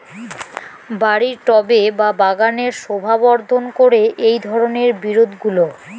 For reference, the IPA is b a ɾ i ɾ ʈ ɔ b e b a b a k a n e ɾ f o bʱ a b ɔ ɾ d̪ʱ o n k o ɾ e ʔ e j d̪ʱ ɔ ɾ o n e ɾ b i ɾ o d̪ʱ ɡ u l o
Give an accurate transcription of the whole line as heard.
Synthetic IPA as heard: b a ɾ i ɾ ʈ ɔ b e b a b a ɡ a n e ɾ ʃ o bʱ a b ɔ ɾ d̪ʱ o n k o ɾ e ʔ e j d̪ʱ ɔ ɾ o n e ɾ b i ɾ o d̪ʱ ɡ u l o